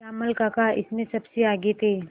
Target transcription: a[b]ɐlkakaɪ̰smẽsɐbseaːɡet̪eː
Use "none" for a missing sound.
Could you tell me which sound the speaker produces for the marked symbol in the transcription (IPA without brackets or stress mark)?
m